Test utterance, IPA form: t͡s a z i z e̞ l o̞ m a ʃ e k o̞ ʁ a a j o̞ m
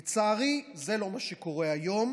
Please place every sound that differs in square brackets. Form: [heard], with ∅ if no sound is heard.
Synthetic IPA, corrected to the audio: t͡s a [ʁ] i z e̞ l o̞ m a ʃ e k o̞ ʁ [e] a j o̞ m